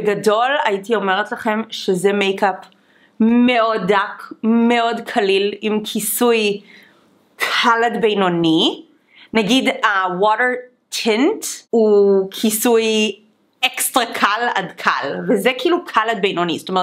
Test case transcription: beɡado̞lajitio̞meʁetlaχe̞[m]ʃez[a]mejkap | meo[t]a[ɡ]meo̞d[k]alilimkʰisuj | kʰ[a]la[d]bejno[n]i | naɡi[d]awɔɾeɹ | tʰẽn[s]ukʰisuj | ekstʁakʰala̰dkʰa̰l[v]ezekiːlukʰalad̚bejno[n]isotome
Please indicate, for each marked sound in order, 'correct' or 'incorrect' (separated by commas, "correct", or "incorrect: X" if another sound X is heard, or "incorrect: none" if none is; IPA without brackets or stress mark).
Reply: correct, incorrect: e, incorrect: d, incorrect: k, incorrect: kʰ, correct, correct, correct, correct, incorrect: t, correct, correct